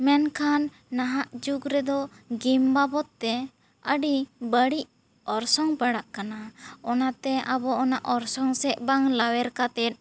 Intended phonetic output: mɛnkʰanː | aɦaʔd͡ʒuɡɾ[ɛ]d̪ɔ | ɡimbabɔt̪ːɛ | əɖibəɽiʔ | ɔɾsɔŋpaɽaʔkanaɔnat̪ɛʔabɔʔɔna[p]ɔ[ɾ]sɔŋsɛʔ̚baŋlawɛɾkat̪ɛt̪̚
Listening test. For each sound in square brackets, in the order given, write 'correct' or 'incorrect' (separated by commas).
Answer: correct, incorrect, correct